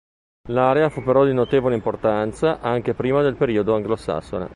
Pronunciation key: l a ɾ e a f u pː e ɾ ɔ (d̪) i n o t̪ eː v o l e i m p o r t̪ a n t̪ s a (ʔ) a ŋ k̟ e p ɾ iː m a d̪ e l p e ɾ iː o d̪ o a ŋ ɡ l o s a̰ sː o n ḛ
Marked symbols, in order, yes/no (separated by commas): yes, yes